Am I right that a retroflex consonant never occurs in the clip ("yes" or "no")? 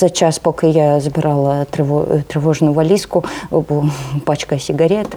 no